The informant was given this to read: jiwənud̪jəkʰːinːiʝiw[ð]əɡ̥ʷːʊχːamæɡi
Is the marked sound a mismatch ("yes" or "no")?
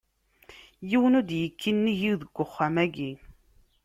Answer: no